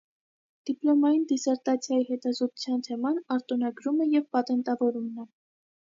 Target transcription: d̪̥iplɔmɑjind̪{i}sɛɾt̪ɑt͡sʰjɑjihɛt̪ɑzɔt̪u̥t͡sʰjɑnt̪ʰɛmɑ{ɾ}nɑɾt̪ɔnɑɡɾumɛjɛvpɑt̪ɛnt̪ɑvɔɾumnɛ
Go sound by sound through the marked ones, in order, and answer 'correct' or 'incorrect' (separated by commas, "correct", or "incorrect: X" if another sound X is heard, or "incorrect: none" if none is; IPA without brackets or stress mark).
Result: correct, incorrect: none